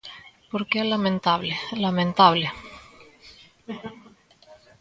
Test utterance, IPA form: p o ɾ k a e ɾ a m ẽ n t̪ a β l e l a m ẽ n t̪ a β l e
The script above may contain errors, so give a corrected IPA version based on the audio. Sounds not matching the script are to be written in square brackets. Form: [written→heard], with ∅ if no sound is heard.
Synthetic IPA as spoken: p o ɾ k [a→e] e [ɾ→l] a m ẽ n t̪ a β l e l a m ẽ n t̪ a β l e